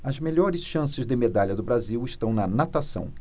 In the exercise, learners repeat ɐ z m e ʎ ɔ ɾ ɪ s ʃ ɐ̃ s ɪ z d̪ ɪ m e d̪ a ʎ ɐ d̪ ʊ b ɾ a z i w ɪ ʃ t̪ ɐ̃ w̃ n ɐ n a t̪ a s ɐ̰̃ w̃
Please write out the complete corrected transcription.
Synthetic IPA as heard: ɐ z m e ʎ ɔ ɾ ɪ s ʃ ɐ̃ s ɪ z d̪ ɪ m e d̪ a ʎ ɐ d̪ ʊ b ɾ a z i w ɪ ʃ t̪ ɐ̃ w̃ n ɐ n a t̪ a s ɐ̰̃ w̃